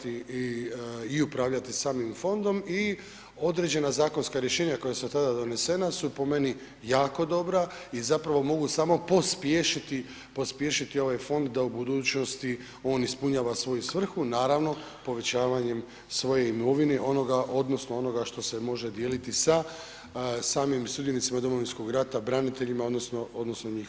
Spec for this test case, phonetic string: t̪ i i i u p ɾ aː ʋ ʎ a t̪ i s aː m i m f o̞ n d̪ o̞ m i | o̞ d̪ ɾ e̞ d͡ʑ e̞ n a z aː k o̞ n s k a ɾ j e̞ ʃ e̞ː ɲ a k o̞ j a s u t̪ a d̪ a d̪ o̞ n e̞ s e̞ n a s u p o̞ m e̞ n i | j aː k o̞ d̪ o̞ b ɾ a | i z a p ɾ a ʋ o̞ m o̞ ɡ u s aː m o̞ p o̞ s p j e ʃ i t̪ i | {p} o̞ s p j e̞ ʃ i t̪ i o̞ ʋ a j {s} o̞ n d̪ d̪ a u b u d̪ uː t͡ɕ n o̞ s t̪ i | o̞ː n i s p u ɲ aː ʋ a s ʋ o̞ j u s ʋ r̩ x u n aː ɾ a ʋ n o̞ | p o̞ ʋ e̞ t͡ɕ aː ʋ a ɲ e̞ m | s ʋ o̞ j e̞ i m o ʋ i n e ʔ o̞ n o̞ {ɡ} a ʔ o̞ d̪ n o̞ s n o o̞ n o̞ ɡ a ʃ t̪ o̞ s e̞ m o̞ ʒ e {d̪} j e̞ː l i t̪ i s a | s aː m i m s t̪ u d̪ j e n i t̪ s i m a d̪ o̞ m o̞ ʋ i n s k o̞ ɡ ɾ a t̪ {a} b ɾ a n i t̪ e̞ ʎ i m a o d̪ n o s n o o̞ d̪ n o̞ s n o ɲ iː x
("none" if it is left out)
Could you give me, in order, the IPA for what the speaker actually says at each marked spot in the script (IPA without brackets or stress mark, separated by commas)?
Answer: p, f, ɡ, d̪, a